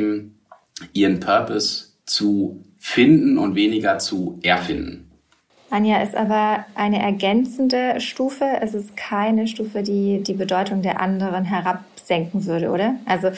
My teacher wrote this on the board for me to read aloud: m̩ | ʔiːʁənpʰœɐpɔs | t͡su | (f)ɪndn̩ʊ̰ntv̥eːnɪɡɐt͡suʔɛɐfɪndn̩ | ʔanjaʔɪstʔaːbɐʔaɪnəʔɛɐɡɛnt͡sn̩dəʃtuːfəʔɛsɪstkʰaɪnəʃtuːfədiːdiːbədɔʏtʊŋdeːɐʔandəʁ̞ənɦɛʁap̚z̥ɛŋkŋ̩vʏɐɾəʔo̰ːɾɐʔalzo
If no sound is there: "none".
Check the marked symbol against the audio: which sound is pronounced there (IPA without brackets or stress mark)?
f